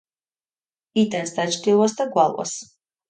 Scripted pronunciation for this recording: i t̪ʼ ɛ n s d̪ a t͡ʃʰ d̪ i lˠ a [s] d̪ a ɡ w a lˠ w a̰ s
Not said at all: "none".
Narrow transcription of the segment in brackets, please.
s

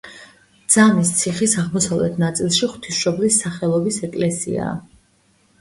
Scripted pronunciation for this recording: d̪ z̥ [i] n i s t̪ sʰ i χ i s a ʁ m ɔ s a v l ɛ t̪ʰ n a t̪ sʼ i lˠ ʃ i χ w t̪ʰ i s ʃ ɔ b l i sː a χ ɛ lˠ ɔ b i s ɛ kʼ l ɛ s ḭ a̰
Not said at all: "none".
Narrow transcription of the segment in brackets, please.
a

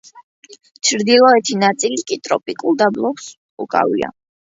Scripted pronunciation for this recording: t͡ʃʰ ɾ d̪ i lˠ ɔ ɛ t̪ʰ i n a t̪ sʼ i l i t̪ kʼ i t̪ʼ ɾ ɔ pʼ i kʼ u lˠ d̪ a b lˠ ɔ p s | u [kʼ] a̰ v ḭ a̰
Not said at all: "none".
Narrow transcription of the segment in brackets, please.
kʼ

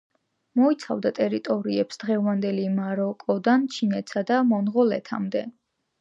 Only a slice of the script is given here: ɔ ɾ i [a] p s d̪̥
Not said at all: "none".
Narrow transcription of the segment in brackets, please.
ɛ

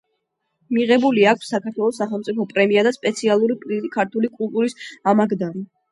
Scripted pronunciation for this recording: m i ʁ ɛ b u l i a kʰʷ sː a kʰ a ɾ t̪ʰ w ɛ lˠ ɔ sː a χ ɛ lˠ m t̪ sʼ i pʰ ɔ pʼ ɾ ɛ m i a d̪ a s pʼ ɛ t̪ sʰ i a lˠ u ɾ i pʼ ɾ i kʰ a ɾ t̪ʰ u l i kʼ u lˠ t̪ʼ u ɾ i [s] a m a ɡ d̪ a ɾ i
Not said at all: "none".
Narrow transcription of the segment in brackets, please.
s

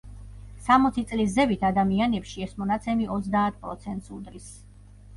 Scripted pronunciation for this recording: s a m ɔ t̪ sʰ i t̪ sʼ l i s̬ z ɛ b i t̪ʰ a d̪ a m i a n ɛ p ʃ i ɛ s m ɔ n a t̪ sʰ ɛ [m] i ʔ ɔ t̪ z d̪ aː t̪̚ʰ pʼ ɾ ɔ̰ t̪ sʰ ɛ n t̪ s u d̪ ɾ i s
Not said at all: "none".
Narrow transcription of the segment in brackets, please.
m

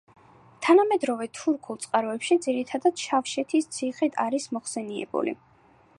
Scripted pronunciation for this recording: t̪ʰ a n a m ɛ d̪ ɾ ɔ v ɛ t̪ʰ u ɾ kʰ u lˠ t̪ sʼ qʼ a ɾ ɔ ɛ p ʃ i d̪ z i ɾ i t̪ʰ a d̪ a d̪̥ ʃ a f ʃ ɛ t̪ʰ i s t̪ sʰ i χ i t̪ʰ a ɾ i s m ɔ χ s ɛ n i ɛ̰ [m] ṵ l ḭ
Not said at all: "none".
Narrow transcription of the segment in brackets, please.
b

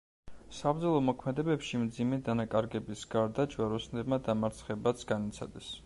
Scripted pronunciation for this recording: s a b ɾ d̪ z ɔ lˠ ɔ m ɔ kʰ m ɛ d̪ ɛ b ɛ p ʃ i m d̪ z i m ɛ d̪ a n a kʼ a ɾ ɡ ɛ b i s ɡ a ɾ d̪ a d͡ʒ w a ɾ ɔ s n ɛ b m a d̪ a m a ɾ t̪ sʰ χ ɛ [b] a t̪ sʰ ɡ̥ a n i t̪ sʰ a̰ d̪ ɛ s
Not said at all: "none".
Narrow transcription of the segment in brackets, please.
b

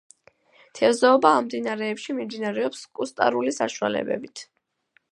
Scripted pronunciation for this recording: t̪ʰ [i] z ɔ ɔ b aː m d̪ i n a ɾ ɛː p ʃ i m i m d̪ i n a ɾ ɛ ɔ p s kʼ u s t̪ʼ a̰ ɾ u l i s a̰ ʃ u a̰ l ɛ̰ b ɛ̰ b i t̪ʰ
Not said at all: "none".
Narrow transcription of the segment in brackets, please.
ɛ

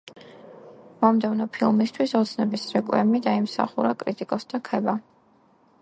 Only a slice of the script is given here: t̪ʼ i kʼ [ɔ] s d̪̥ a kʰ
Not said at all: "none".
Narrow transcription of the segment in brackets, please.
ɔ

